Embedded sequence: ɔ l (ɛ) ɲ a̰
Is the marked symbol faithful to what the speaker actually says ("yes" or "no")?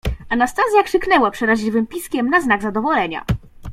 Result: yes